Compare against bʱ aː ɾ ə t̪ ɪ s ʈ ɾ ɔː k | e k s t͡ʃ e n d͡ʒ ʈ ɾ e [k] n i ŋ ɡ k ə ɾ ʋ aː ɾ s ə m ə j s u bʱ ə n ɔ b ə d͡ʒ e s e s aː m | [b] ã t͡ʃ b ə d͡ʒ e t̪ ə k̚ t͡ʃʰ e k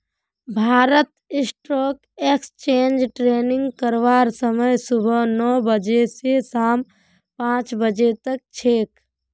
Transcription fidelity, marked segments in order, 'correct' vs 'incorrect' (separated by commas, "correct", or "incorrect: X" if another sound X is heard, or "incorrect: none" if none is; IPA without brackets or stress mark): incorrect: none, incorrect: p